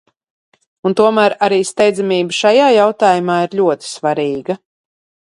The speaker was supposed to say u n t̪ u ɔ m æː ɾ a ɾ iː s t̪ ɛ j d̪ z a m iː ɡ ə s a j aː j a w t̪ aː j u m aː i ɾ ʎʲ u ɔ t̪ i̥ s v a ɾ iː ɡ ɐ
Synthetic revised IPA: u n t̪ u ɔ m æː ɾ a ɾ iː s t̪ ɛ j d̪ z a m iː b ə ʃ a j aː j a w t̪ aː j u m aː i ɾ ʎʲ u ɔ t̪ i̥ s v a ɾ iː ɡ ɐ